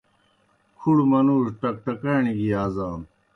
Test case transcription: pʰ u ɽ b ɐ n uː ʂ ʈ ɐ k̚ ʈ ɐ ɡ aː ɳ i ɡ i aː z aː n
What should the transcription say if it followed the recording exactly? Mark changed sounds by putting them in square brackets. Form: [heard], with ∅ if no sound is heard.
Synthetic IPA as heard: [kʰ] u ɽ [m] ɐ n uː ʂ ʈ ɐ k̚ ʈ ɐ [k] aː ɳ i ɡ i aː z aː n